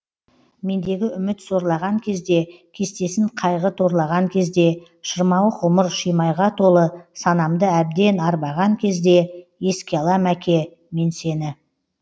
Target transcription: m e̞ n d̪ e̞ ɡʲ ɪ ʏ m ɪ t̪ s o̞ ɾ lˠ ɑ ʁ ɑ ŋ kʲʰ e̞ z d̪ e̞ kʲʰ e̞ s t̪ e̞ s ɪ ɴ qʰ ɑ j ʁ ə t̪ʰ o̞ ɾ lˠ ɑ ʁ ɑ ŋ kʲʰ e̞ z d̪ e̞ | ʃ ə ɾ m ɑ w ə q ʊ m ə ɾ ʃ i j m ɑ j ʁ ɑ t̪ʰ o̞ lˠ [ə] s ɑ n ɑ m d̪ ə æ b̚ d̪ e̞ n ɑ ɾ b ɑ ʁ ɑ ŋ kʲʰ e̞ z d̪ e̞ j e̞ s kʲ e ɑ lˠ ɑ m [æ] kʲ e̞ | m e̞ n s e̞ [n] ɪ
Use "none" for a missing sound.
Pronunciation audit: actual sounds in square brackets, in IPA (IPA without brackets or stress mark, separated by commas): ə, æ, n